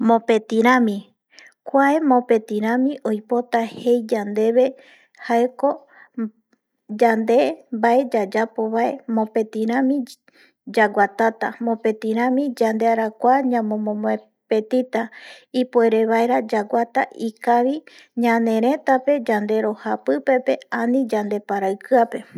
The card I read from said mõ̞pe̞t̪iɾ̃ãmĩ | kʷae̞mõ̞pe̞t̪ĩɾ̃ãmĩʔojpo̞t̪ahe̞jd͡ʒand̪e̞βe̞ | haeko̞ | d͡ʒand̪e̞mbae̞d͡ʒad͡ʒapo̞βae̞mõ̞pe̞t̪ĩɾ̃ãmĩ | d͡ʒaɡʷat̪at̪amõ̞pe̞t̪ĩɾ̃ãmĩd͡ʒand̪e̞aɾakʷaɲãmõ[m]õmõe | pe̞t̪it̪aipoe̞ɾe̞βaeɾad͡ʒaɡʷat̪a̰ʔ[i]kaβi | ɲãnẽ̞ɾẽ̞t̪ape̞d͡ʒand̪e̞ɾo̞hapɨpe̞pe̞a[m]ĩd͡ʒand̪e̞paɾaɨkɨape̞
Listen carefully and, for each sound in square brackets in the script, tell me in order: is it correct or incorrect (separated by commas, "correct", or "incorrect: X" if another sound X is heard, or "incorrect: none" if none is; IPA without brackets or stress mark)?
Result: correct, correct, incorrect: n